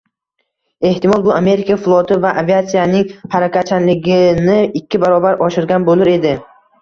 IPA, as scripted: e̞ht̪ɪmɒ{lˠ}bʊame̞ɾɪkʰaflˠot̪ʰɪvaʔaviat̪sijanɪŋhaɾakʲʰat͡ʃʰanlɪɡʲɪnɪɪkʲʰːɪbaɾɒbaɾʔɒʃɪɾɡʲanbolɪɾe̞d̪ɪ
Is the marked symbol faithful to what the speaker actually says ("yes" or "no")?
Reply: yes